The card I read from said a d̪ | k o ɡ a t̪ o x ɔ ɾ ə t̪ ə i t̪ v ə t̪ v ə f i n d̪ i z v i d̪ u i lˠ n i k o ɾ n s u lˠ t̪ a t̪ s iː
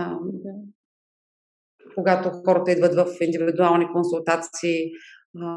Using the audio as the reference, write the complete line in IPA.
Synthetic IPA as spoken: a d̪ | k o ɡ a t̪ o x ɔ ɾ ə t̪ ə i d̪ v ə t̪ v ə f i n d̪ i v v i d̪ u a lˠ n i k o n s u lˠ t̪ a t̪ s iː